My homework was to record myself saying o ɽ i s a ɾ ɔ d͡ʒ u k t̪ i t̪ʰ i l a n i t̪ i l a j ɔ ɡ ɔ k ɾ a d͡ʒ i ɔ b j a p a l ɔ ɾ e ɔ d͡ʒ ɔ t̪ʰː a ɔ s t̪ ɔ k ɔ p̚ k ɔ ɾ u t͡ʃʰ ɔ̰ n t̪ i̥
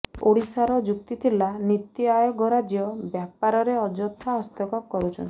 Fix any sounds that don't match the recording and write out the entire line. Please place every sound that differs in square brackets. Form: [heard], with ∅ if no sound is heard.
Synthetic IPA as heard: o ɽ i s a ɾ ɔ d͡ʒ u k t̪ i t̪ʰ i l a n i t̪ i [∅] a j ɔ ɡ ɔ [∅] ɾ a d͡ʒ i ɔ b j a p a [ɾ] ɔ ɾ e ɔ d͡ʒ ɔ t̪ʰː a ɔ s t̪ ɔ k ɔ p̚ k ɔ ɾ u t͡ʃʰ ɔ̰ n t̪ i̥